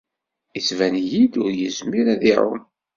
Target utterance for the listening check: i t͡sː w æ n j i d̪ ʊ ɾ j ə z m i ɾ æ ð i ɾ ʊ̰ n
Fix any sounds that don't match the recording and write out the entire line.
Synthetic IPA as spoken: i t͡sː v æ n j i d̪ ʊ ɾ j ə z m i ɾ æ ð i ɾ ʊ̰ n